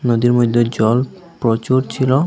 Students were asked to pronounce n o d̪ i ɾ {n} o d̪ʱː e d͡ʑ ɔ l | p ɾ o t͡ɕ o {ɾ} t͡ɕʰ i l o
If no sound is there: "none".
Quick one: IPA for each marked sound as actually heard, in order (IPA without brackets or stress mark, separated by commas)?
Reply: m, ɾ